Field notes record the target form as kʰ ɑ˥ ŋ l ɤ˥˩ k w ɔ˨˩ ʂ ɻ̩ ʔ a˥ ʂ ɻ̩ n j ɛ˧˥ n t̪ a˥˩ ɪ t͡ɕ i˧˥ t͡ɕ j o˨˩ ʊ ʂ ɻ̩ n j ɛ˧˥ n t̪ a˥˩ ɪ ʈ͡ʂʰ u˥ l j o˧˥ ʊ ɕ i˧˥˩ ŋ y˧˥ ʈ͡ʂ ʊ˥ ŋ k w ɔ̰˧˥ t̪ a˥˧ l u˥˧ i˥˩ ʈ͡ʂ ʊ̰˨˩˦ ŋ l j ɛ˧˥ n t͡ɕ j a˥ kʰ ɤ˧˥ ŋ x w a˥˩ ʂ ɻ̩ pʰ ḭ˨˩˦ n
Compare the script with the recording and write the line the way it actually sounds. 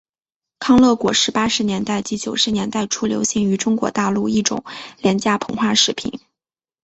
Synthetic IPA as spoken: kʰ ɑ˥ ŋ l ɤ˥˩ k w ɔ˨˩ ʂ ɻ̩ p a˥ ʂ ɻ̩ n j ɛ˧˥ n t̪ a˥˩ ɪ t͡ɕ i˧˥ t͡ɕ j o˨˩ ʊ ʂ ɻ̩ n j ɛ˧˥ n t̪ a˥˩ ɪ ʈ͡ʂʰ u˥ l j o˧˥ ʊ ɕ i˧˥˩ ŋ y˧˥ ʈ͡ʂ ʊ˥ ŋ k w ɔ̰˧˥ t̪ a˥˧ l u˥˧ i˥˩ ʈ͡ʂ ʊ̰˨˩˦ ŋ l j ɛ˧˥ n t͡ɕ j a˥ pʰ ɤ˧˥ ŋ x w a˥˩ ʂ ɻ̩ pʰ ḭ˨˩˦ n